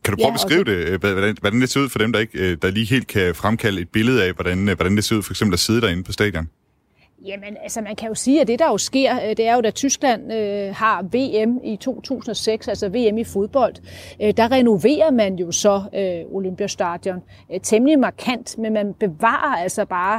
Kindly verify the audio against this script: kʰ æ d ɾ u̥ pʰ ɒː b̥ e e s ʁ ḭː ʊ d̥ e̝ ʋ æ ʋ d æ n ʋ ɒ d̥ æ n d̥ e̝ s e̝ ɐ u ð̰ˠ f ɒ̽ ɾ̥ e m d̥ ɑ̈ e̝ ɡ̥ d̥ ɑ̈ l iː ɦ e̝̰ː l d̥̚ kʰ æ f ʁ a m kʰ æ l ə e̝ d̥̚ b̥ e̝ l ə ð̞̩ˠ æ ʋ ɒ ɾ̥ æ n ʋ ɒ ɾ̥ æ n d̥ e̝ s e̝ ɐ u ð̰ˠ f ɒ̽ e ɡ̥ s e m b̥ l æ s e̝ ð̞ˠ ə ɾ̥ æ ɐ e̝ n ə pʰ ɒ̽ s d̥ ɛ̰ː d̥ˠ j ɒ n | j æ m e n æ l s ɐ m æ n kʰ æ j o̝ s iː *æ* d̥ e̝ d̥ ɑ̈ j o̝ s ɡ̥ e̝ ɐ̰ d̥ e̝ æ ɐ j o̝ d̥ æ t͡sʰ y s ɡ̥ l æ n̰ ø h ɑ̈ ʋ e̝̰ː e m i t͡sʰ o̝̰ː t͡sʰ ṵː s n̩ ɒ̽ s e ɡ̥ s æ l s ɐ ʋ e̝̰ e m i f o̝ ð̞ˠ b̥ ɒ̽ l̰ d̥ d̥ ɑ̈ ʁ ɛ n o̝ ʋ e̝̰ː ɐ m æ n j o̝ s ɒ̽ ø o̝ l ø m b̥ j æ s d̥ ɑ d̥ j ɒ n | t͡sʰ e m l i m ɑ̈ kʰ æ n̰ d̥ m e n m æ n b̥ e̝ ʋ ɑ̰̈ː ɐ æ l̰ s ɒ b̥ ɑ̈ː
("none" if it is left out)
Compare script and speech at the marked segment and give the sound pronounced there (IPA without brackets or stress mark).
æ